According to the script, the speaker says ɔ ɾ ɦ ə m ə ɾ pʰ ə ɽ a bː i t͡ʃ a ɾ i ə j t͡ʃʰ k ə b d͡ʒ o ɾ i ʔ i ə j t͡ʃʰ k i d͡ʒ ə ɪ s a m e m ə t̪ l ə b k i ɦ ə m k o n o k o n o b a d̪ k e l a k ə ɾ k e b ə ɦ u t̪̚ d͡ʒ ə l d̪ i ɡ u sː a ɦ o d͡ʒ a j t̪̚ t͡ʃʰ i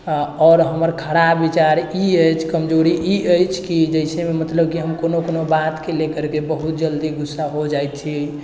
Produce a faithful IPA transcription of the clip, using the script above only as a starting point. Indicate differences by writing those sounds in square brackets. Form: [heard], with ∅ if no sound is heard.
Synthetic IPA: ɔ ɾ ɦ ə m ə ɾ [kʰ] ə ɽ a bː i t͡ʃ a ɾ i ə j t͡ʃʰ k ə [m] d͡ʒ o ɾ i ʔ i ə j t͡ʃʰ k i d͡ʒ ə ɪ s [e] m e m ə t̪ l ə b k i ɦ ə m k o n o k o n o b a [t̪] k e l [e] k ə ɾ k e b ə ɦ u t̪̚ d͡ʒ ə l d̪ i ɡ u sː a ɦ o d͡ʒ a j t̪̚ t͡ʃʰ i